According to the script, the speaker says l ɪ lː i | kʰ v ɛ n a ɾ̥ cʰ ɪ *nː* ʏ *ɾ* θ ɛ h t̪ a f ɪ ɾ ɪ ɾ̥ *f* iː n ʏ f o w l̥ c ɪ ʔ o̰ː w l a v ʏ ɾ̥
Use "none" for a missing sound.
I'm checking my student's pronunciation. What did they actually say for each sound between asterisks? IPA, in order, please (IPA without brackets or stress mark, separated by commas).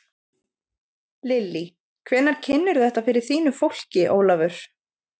nː, ɾ, θ